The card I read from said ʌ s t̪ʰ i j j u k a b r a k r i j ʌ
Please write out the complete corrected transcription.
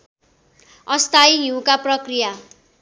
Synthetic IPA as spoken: ʌ s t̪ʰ a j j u k a p r ʌ k r i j a